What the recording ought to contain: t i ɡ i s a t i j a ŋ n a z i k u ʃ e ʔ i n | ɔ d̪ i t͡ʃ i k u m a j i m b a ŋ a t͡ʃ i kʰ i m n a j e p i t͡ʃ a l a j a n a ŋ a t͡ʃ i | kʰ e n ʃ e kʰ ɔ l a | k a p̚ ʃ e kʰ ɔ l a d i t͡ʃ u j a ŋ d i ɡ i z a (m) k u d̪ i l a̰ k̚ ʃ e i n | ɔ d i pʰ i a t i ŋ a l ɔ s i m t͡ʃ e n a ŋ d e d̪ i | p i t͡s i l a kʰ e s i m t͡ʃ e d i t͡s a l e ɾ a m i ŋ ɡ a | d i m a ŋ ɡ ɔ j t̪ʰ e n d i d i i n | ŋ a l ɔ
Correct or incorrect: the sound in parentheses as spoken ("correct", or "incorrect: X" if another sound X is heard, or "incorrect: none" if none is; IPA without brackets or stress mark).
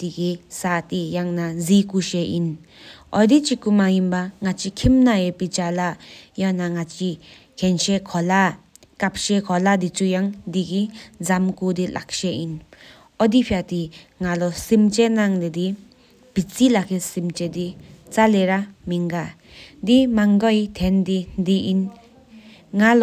correct